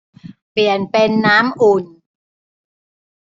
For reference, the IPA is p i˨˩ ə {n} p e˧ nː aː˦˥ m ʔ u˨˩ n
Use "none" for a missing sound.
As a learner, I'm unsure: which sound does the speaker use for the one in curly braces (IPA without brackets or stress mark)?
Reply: n